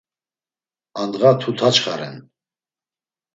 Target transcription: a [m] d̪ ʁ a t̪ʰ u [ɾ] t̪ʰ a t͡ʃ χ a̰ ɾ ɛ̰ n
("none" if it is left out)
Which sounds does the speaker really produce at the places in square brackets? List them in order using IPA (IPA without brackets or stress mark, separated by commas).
n, none